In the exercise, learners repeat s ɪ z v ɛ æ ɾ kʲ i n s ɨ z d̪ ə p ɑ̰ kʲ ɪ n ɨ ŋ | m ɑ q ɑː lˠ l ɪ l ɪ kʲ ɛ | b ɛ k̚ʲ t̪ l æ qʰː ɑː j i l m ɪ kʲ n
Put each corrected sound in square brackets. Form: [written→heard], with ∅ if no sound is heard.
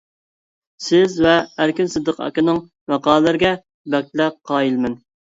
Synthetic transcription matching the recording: s ɪ z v ɛ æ ɾ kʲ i n s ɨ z d̪ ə [p→q] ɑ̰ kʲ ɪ n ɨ ŋ | m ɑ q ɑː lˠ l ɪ [l→ɾ] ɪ [kʲ→ɡʲ] ɛ | b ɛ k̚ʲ t̪ l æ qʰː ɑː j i l m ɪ [kʲ→∅] n

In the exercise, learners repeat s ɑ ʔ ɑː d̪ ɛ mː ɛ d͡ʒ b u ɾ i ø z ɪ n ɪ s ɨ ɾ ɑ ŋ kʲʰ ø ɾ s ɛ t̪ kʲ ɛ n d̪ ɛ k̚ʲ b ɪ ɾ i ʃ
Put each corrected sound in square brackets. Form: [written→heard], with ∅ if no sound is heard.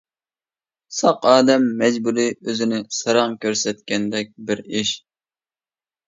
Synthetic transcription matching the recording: s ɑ [ʔ→q] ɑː d̪ ɛ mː ɛ d͡ʒ b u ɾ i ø z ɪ n ɪ s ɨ ɾ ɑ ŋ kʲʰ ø ɾ s ɛ t̪ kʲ ɛ n d̪ ɛ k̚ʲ b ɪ ɾ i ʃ

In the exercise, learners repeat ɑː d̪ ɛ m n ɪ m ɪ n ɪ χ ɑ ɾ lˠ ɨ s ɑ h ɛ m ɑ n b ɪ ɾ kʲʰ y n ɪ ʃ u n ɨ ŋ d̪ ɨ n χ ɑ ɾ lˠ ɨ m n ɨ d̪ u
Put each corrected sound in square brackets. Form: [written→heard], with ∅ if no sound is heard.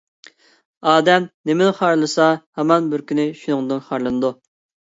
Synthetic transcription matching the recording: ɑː d̪ ɛ m n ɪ m ɪ n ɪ χ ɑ ɾ lˠ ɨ s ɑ h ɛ m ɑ n b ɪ ɾ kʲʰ y n ɪ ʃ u n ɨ ŋ d̪ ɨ n χ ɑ ɾ lˠ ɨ [m→∅] n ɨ d̪ u

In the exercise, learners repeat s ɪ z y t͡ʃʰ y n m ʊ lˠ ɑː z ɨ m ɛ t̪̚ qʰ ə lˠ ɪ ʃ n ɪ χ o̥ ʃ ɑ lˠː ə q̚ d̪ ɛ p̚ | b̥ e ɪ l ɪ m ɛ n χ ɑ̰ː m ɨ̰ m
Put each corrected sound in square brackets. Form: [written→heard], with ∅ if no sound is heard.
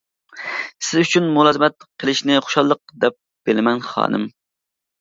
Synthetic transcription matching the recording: s ɪ z y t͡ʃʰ y n m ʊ lˠ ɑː z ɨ m ɛ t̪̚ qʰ ə lˠ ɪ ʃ n ɪ χ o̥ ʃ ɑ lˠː ə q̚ d̪ ɛ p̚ | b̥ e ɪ l ɪ m ɛ n χ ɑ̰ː [m→n] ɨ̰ m

